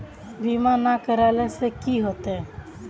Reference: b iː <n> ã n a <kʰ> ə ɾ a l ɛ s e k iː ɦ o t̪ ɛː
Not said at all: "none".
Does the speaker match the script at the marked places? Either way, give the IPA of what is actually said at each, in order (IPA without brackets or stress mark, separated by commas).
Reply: m, k